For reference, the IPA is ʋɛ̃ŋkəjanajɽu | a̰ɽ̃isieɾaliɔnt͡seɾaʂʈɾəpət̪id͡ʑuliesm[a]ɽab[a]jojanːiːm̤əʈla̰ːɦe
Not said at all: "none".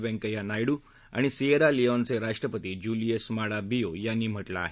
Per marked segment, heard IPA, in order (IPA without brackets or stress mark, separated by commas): a, i